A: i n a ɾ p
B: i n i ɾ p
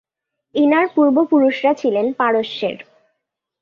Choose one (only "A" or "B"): A